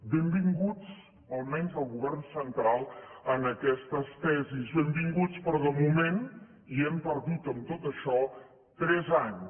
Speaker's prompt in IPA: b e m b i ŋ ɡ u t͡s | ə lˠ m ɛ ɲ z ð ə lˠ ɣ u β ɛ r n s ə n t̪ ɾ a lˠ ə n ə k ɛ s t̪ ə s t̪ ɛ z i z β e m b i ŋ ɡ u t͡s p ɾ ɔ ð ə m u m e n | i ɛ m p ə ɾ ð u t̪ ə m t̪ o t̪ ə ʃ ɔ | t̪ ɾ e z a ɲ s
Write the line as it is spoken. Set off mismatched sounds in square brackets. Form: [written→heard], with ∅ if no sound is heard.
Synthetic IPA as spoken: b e m b i ŋ ɡ u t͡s | ə lˠ m ɛ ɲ z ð ə lˠ ɣ u β ɛ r n s ə n t̪ ɾ a lˠ ə n ə k ɛ s t̪ ə s t̪ ɛ z i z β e m b i ŋ ɡ u t͡s p ɾ ɔ ð ə m u m e n | i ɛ m p ə ɾ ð u t̪ ə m t̪ o t̪ ə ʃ ɔ | t̪ ɾ [e→ɛ] z a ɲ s